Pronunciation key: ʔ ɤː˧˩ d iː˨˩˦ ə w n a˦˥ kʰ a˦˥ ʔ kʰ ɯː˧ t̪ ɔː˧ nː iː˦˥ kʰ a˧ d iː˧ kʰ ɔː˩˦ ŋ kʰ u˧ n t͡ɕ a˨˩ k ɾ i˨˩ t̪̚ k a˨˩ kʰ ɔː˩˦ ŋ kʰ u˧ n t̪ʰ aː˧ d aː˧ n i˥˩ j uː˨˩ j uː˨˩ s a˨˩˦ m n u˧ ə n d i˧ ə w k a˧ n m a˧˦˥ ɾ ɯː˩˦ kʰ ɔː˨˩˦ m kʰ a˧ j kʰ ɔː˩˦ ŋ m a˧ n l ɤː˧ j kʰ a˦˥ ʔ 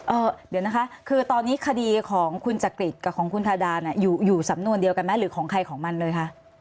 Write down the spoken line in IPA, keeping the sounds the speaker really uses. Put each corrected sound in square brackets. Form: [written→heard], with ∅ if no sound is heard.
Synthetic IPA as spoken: ʔ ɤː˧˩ d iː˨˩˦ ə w n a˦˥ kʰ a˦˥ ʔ kʰ ɯː˧ t̪ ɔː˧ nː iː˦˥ kʰ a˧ d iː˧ kʰ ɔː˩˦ ŋ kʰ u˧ n t͡ɕ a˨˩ k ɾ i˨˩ t̪̚ k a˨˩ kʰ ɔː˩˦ ŋ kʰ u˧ n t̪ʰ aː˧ d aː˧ n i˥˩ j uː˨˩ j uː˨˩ s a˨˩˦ m n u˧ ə n d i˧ ə w k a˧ n m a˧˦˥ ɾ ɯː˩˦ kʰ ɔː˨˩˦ [m→ŋ] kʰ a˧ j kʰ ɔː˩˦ ŋ m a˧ n l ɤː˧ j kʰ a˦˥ ʔ